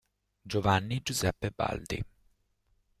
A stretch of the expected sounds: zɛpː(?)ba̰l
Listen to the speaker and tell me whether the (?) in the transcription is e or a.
e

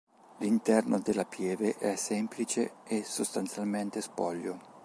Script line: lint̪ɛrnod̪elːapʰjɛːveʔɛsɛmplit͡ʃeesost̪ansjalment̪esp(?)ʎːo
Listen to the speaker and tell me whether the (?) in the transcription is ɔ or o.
ɔ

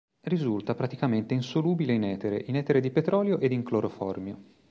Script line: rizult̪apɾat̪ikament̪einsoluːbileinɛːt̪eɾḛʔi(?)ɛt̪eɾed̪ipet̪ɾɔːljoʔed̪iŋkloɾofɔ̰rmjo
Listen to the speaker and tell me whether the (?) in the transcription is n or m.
n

